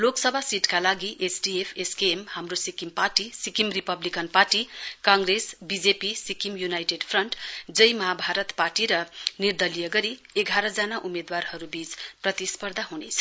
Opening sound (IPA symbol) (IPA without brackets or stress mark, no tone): l